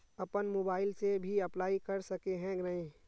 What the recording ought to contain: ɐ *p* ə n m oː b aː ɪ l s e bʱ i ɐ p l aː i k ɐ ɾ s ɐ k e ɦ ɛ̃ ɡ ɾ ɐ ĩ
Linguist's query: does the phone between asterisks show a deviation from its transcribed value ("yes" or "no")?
no